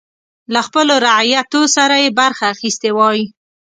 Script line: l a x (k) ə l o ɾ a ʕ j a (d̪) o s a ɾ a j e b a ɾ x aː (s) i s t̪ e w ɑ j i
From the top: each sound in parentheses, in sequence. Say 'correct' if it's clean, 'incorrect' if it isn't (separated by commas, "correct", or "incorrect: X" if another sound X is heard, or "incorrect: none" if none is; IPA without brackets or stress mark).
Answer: incorrect: p, incorrect: t̪, incorrect: x